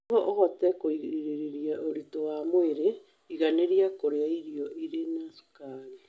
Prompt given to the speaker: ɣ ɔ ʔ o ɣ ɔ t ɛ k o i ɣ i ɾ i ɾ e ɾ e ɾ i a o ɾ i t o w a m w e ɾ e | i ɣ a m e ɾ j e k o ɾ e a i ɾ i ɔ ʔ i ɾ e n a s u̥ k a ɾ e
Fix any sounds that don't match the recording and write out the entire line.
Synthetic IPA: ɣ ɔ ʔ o ɣ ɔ t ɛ k o i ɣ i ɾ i ɾ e ɾ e ɾ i a o ɾ i t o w a m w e ɾ e | i ɣ a n e ɾ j a k o ɾ e a i ɾ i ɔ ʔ i ɾ e n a s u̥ k a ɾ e

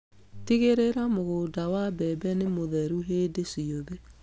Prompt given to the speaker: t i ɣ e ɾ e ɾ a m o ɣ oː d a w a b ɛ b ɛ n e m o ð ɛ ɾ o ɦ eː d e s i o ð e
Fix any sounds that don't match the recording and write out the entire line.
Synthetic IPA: t i ɣ e ɾ e ɾ a m o ɣ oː d a w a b ɛ b ɛ n e m o ð ɛ ɾ u ɦ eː d e s i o ð e

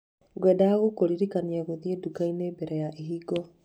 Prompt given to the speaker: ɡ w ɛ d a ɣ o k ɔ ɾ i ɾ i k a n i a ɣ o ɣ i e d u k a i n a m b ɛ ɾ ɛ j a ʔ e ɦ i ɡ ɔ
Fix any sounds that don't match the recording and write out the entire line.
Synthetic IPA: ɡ w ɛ d a ɣ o k o ɾ i ɾ i k a n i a ɣ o ð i e d u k a i n e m b ɛ ɾ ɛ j a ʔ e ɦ i ɡ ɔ

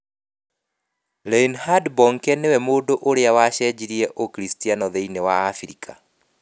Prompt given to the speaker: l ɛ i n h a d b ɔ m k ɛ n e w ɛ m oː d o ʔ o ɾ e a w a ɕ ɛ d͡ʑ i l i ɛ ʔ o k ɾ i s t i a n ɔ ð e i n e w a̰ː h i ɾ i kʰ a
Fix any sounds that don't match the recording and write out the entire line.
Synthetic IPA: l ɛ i n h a d b ɔ ŋ k ɛ n e w ɛ m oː d o ʔ o ɾ e a w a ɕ ɛ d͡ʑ i ɾ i ɛ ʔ o k ɾ i s t i a n ɔ ð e i n e w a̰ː f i ɾ i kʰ a

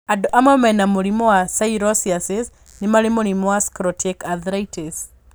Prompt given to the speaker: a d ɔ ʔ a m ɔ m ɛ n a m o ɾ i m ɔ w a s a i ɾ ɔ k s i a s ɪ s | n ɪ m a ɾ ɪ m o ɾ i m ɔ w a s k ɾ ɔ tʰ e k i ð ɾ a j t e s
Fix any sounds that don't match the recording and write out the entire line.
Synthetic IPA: a d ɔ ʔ a m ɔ m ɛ n a m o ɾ i m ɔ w a s a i ɾ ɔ s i a s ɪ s | n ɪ m a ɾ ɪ m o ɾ i m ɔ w a s k ɾ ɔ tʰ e k a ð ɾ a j t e s

